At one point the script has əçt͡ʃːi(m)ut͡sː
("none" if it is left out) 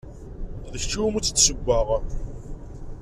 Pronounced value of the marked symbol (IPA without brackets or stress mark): m